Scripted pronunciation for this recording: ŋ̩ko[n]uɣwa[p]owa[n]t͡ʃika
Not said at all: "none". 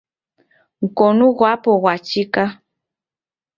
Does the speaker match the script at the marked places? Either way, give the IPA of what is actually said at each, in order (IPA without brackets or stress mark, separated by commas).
n, p, none